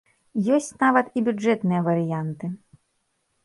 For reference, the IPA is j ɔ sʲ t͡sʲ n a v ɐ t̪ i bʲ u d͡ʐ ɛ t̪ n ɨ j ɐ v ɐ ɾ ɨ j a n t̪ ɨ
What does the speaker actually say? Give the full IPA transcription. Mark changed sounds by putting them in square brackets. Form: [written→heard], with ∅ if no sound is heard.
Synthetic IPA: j ɔ sʲ t͡sʲ n a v ɐ t̪ i bʲ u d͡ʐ ɛ t̪ n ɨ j ɐ v ɐ ɾ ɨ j a n t̪ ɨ